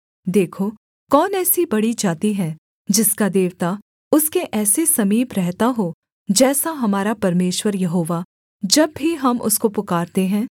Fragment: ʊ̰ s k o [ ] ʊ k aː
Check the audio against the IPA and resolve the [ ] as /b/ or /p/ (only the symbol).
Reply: p